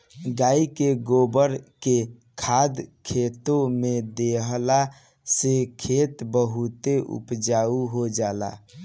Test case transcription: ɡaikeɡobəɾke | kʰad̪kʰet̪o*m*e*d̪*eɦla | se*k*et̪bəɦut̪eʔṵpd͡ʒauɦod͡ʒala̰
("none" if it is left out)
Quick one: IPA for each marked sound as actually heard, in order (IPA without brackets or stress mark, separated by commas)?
m, d̪, kʰ